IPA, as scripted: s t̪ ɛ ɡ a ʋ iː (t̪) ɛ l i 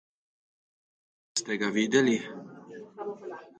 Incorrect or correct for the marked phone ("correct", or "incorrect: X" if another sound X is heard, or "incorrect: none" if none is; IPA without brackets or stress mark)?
incorrect: d̪